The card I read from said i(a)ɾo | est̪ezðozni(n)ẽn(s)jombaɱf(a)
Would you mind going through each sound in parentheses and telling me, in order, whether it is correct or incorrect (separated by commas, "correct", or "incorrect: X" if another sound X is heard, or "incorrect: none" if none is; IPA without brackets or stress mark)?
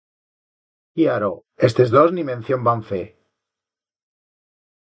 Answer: correct, incorrect: m, incorrect: θ, incorrect: e